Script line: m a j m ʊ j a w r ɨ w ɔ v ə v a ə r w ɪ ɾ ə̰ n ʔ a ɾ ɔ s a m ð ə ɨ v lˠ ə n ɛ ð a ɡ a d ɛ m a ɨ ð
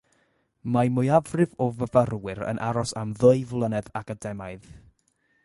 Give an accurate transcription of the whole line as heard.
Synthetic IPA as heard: m a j m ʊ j a v r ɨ v ɔ v ə v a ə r w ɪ ɾ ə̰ n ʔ a ɾ ɔ s a m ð ə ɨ v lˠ ə n ɛ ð a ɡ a d ɛ m a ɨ ð